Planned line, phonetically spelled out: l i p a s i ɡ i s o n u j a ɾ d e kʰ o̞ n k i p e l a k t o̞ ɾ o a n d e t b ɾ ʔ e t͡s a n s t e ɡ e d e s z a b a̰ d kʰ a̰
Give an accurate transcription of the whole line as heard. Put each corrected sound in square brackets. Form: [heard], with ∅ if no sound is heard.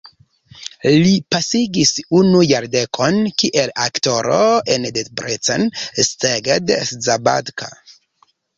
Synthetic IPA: l i p a s i ɡ i s [u] n u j a ɾ d e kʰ o̞ n k i [ʔ] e l a k t o̞ ɾ o [e] n d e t b ɾ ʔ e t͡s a n s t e ɡ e d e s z a b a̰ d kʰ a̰